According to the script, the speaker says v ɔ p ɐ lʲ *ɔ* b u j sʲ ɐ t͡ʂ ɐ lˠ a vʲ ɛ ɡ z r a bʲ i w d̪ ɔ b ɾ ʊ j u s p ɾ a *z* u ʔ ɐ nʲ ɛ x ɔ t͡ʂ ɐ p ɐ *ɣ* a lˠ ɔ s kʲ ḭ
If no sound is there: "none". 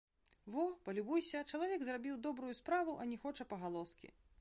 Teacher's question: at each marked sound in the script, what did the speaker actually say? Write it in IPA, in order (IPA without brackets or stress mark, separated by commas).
u, v, ɣ